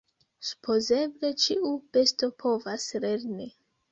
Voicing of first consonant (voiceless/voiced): voiceless